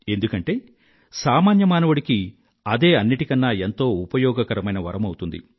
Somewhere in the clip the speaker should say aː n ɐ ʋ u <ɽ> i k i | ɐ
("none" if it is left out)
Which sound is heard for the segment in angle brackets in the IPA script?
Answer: ɽ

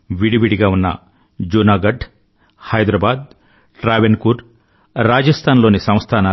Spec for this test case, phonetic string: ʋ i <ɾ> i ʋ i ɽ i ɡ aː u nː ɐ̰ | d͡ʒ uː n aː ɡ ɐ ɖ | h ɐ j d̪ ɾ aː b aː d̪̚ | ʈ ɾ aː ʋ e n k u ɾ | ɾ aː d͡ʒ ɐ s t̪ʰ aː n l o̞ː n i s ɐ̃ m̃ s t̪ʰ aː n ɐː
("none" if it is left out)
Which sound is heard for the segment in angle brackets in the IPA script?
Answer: ɽ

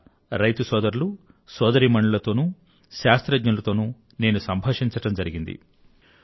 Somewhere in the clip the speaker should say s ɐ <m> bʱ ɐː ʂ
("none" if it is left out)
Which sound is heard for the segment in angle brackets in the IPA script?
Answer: m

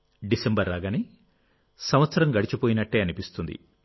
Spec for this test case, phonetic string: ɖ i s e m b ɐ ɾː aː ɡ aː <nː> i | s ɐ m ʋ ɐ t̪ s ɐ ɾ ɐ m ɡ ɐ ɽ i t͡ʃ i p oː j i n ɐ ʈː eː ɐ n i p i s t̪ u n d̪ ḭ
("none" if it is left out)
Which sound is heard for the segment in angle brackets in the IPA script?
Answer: n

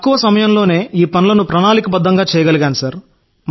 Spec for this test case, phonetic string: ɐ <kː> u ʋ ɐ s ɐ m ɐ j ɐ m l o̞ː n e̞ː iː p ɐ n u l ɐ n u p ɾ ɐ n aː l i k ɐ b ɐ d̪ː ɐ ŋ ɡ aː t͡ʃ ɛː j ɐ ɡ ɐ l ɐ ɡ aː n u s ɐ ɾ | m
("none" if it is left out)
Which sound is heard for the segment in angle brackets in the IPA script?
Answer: kː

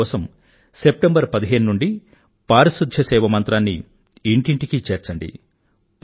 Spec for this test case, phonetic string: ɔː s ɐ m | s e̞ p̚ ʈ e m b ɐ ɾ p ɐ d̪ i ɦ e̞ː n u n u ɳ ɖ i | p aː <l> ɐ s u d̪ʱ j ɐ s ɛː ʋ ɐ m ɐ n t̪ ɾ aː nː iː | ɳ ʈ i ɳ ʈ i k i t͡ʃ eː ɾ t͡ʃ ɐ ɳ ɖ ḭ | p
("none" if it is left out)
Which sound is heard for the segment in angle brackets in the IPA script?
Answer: ɾ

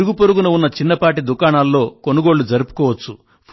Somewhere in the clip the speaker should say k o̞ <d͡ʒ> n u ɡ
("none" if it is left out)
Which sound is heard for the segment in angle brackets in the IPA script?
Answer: none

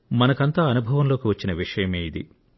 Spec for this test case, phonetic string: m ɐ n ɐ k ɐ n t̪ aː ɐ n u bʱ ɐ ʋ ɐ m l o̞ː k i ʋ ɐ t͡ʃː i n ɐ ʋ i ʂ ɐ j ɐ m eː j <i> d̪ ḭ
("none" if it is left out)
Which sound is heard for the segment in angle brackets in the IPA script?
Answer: i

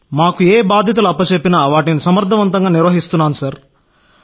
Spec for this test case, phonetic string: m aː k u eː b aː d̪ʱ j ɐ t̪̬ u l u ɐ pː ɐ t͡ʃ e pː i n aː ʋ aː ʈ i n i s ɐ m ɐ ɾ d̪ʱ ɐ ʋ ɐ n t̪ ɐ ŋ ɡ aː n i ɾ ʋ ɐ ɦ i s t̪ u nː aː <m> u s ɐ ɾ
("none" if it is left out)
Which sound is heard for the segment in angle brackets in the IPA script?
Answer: n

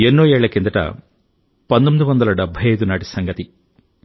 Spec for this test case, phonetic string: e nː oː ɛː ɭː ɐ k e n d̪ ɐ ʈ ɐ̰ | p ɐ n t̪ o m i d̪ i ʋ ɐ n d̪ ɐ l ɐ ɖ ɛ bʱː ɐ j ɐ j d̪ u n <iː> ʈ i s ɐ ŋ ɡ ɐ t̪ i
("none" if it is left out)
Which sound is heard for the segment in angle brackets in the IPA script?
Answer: aː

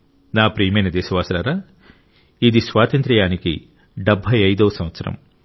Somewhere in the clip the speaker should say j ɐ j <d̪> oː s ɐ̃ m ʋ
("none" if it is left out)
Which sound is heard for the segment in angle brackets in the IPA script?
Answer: d̪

